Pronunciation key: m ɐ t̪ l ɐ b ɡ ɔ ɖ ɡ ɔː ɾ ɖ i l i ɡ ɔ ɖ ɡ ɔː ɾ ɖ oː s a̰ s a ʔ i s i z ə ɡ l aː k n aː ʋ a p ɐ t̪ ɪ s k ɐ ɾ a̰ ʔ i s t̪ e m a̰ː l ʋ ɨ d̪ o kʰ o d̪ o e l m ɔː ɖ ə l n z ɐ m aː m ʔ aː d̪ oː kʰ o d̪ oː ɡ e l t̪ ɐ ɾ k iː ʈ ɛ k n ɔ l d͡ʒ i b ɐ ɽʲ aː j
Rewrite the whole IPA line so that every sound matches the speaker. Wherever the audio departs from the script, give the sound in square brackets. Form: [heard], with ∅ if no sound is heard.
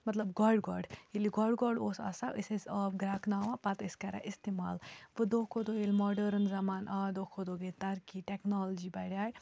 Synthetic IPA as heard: m ɐ t̪ l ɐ b ɡ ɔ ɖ ɡ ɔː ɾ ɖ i l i ɡ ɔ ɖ ɡ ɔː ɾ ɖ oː s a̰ s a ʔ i s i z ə ɡ [ɾ] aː k n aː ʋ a p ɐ t̪ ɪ s k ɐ ɾ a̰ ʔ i s t̪ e m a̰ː l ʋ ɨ d̪ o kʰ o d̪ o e l m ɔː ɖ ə [ɾ] n z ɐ m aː [n] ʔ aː d̪ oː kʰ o d̪ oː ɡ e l t̪ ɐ ɾ k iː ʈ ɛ k n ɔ l d͡ʒ i b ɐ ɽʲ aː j